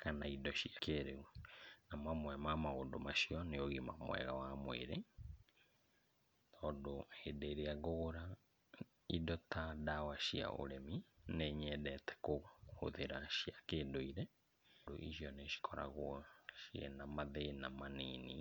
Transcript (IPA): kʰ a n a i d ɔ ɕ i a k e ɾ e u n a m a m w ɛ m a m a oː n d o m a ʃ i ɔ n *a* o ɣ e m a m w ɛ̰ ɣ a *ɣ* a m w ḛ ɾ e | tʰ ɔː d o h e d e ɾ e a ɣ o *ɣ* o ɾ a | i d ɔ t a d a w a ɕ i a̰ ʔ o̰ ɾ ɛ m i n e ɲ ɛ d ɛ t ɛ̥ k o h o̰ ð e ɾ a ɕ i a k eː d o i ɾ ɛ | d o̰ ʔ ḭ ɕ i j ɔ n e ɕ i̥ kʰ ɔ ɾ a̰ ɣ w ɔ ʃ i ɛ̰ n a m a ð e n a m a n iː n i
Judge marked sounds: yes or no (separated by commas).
no, no, yes